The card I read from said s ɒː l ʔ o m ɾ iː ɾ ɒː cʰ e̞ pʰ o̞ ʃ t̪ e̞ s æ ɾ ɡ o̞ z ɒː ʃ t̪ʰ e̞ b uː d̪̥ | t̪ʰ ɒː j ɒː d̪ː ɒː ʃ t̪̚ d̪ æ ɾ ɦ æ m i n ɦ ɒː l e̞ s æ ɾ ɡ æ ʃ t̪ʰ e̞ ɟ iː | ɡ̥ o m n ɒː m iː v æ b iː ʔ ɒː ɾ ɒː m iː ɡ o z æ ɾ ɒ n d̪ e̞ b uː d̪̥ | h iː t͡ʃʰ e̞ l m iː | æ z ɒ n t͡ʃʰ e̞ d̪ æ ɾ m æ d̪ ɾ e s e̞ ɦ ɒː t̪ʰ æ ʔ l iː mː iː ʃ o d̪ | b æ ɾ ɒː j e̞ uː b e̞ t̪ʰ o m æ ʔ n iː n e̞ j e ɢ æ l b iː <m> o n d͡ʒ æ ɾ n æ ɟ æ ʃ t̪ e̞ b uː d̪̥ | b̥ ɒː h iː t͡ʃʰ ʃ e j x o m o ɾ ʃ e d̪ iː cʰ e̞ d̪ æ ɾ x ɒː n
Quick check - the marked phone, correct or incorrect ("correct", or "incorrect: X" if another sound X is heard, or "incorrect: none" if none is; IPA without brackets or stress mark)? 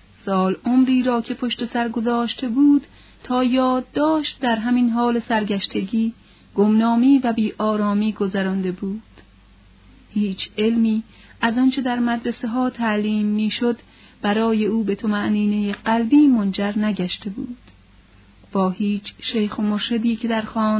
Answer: correct